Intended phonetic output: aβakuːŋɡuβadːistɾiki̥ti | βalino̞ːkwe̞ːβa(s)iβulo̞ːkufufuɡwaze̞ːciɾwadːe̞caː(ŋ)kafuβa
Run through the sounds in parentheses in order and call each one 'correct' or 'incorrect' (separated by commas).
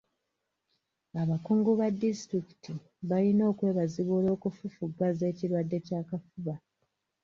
incorrect, incorrect